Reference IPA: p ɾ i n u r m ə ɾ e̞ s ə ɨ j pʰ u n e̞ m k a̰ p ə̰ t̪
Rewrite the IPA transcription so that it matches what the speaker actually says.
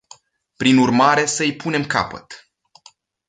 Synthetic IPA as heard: p ɾ i n u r m a ɾ e̞ s ə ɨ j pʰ u n e̞ m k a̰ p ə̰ t̪